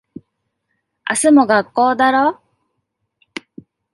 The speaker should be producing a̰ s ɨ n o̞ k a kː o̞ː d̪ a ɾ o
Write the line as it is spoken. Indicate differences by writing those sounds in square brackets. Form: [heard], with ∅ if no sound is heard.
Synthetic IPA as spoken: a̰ s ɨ [m] o̞ [ɡ] a kː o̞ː d̪ a ɾ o